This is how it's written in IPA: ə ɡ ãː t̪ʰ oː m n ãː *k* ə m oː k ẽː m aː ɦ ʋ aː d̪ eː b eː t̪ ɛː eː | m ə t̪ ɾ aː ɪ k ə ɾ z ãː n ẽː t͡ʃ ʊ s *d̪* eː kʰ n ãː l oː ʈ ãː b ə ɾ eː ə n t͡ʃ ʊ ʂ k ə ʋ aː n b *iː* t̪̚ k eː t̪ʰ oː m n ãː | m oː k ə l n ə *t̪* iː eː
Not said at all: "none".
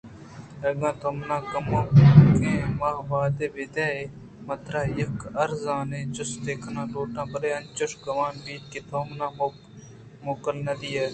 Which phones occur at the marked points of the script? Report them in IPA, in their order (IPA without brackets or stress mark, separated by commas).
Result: k, d̪, iː, d̪